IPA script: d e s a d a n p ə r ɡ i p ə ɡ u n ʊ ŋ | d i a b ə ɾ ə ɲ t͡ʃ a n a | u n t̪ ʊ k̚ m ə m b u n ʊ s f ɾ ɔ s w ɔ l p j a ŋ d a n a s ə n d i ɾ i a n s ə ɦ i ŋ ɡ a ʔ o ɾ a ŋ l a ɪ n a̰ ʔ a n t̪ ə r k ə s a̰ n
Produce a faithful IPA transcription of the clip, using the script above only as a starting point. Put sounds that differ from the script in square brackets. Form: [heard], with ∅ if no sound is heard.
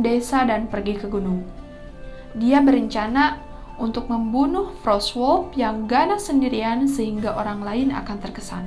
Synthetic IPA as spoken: d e s a d a n p ə r ɡ i [k] ə ɡ u n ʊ ŋ | d i a b ə ɾ ə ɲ t͡ʃ a n a | u n t̪ ʊ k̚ m ə m b u n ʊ [h] f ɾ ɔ s w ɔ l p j a ŋ [ɡ] a n a s ə n d i ɾ i a n s ə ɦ i ŋ ɡ a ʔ o ɾ a ŋ l a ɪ n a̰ [k] a n t̪ ə r k ə s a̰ n